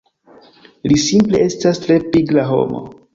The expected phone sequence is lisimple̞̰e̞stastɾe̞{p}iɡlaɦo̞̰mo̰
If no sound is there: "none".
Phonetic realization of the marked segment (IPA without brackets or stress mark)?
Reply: p